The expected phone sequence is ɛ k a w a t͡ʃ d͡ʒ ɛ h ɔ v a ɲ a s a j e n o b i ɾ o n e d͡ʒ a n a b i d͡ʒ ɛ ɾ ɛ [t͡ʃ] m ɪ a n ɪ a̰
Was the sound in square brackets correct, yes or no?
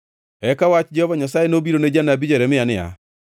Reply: no